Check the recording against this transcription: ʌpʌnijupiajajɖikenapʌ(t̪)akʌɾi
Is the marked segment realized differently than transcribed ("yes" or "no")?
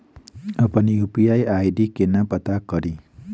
no